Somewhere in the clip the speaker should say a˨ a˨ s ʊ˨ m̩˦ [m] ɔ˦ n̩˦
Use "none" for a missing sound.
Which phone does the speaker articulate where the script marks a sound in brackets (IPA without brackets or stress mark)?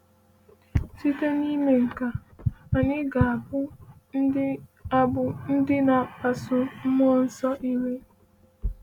m